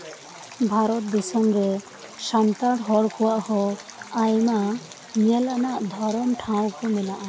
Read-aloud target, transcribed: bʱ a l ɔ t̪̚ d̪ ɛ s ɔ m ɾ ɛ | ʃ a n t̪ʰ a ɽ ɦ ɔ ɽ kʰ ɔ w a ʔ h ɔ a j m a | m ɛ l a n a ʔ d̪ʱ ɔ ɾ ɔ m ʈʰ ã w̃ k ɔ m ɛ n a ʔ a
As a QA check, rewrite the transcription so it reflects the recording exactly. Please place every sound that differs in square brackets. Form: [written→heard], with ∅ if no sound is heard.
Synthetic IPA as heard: bʱ a [l→ɾ] ɔ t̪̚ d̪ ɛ s ɔ m ɾ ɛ | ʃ a n [t̪ʰ→t̪] a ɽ ɦ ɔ ɽ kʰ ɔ w a ʔ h ɔ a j m a | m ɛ l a n a ʔ d̪ʱ ɔ ɾ ɔ m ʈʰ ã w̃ k ɔ m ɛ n a ʔ a